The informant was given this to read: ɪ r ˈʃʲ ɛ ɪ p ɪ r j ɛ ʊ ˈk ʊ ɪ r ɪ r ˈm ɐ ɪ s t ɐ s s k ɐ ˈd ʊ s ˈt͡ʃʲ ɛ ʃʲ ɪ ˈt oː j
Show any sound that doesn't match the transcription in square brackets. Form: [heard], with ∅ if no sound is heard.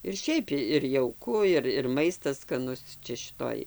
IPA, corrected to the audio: ɪ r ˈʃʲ ɛ ɪ p ɪ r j ɛ ʊ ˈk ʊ ɪ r ɪ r ˈm ɐ ɪ s t ɐ s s k ɐ [ˈn] ʊ s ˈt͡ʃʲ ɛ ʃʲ ɪ ˈt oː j

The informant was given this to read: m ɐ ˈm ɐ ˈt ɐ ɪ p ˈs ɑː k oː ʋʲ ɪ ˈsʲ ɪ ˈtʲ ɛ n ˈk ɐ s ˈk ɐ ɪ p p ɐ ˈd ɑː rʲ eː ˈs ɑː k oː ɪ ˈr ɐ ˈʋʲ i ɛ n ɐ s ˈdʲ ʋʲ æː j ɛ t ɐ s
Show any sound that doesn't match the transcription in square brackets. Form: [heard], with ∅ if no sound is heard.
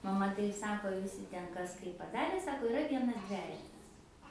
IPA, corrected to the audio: m ɐ ˈm ɐ ˈt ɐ ɪ p ˈs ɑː k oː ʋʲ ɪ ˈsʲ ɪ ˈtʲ ɛ n ˈk ɐ s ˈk ɐ ɪ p p ɐ ˈd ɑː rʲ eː ˈs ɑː k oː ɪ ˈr ɐ ˈʋʲ i ɛ n ɐ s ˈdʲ ʋʲ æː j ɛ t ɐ s

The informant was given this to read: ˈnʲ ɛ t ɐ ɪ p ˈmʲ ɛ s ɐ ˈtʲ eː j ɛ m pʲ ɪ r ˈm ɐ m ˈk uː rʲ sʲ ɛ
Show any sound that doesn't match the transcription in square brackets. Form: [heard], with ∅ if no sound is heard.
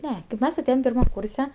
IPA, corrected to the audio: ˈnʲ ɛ [k] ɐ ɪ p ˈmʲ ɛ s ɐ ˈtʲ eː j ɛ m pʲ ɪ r ˈm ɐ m ˈk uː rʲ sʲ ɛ

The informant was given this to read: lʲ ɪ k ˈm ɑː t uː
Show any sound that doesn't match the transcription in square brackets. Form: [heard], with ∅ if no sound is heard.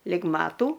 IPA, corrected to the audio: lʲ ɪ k ˈm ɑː t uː

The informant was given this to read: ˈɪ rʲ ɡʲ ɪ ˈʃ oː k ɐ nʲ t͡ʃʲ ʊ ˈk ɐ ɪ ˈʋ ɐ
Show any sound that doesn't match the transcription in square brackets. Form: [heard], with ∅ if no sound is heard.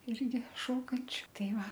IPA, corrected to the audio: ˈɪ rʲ ɡʲ ɪ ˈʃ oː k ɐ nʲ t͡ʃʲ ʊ [ˈt] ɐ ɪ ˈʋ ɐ

